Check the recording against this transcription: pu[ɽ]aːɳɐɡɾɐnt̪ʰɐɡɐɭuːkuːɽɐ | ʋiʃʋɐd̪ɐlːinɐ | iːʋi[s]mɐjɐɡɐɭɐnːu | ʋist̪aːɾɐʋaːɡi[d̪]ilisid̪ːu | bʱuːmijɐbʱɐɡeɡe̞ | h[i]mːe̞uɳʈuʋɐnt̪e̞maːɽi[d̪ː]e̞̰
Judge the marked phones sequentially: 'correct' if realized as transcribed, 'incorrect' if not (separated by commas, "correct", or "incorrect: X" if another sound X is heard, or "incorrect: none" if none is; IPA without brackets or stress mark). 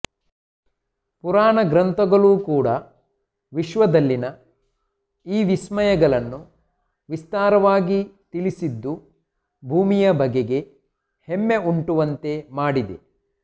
incorrect: ɾ, correct, incorrect: t̪, incorrect: e, incorrect: d̪